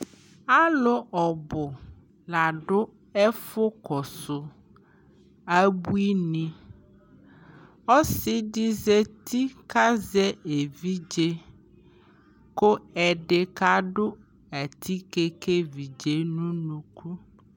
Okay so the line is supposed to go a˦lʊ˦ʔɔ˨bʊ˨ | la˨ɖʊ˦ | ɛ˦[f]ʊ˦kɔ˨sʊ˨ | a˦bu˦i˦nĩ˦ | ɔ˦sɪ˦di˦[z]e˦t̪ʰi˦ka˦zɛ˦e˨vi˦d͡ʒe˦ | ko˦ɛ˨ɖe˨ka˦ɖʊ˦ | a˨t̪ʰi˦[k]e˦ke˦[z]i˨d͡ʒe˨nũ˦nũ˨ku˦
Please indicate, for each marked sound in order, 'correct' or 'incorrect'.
correct, correct, correct, incorrect

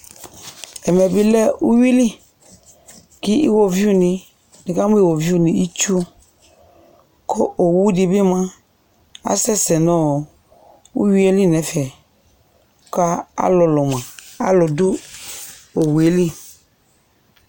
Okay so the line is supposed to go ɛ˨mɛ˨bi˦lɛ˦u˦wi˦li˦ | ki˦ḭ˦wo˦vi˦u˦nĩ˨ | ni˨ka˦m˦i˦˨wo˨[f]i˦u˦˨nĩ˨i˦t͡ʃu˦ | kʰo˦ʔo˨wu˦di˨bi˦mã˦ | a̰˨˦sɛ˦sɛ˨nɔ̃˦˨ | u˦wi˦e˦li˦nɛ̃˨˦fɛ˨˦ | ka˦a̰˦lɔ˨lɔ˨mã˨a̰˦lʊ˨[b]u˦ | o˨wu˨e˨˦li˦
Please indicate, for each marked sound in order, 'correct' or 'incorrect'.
incorrect, incorrect

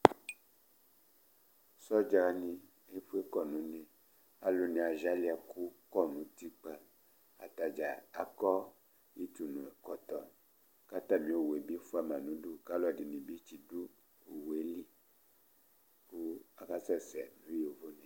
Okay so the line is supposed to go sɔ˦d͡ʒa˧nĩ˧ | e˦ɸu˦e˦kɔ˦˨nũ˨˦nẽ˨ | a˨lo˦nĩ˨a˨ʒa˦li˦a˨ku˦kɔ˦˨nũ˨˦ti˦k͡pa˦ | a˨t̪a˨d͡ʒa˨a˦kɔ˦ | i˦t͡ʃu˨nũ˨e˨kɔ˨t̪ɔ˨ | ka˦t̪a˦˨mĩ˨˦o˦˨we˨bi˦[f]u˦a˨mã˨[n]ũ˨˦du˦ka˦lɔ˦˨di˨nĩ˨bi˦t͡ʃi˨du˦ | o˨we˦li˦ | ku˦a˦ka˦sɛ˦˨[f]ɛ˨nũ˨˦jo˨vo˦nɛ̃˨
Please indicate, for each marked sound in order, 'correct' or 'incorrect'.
correct, correct, incorrect

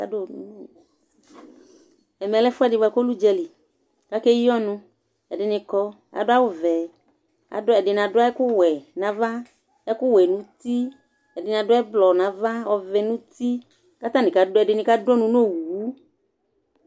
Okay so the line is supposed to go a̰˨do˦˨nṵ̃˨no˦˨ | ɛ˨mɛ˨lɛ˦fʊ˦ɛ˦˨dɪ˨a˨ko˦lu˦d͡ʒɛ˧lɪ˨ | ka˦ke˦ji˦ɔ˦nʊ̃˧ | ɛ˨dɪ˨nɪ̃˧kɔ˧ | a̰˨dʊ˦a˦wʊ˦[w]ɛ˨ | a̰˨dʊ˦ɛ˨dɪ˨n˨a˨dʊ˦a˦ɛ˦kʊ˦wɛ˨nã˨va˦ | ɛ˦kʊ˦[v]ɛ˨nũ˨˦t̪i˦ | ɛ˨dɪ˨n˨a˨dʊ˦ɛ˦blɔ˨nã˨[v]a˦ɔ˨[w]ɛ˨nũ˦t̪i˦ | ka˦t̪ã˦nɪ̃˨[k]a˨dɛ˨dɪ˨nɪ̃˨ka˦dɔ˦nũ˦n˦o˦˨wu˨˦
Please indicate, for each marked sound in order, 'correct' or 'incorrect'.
incorrect, incorrect, correct, incorrect, correct

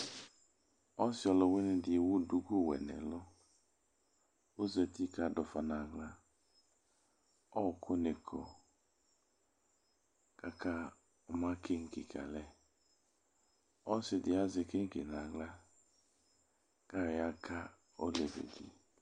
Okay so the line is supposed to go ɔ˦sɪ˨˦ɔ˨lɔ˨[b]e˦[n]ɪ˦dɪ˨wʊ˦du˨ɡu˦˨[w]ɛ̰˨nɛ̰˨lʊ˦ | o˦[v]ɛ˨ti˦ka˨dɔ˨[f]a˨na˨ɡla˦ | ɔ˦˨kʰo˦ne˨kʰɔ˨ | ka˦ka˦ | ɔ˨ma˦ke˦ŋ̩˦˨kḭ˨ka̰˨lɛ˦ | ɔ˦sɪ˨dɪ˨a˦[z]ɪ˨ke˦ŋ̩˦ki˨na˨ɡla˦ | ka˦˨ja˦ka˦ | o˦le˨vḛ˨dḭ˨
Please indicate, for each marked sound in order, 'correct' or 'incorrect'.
incorrect, correct, correct, incorrect, correct, correct

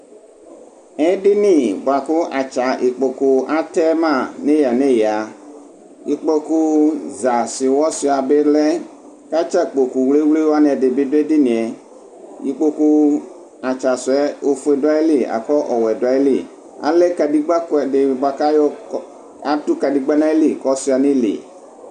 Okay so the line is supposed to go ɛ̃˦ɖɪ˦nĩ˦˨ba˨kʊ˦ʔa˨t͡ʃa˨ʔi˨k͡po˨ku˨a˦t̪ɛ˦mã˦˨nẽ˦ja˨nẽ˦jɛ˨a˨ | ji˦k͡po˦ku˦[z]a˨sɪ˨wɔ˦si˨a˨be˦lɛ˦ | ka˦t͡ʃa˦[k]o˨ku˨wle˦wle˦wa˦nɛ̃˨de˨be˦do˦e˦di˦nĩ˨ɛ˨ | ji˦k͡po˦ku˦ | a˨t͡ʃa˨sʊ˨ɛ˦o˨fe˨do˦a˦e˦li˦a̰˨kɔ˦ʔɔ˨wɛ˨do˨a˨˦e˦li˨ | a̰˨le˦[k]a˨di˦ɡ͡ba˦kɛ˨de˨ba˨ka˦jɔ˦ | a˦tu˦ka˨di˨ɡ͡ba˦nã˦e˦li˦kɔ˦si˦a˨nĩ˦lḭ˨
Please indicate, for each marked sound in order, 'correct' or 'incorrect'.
correct, incorrect, correct

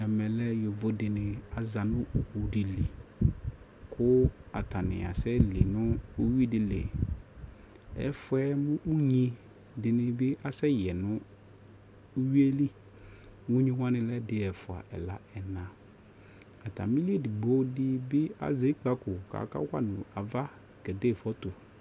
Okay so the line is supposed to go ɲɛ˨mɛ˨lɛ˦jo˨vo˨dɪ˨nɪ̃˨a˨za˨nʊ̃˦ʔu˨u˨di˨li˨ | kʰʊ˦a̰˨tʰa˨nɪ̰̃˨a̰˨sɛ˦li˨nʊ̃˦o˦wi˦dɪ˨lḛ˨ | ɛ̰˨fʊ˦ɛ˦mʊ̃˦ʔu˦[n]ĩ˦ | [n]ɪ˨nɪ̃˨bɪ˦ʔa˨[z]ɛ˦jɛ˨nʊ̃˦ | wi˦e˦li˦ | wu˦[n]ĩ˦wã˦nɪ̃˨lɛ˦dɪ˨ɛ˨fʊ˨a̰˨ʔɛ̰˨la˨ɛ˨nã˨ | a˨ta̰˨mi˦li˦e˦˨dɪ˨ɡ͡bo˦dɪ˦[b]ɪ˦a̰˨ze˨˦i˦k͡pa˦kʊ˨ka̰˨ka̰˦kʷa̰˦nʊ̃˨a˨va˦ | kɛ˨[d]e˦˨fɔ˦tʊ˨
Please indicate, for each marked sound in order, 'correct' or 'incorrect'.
incorrect, incorrect, incorrect, incorrect, correct, correct

